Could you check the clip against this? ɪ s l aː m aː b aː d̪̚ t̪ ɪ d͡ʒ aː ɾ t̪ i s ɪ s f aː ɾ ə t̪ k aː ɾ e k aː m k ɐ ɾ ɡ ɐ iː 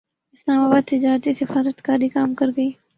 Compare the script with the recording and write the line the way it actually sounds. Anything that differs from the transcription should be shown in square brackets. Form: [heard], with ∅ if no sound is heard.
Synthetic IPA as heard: ɪ s l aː m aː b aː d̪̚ t̪ ɪ d͡ʒ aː ɾ t̪ i s ɪ [∅] f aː ɾ ə t̪ k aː ɾ [i] k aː m k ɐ ɾ ɡ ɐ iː